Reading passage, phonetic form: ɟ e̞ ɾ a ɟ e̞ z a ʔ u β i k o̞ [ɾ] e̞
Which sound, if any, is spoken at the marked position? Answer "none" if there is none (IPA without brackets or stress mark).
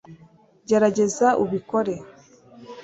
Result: ɾ